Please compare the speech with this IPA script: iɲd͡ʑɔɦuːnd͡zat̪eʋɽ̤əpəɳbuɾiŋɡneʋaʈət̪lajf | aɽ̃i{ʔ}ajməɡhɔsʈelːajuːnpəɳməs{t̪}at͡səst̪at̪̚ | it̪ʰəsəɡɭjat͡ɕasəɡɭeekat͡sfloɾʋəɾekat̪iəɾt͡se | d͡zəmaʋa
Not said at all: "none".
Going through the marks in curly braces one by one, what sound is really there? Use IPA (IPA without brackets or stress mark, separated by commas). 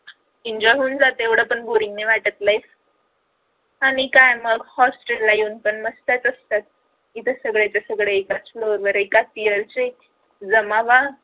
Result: k, t̪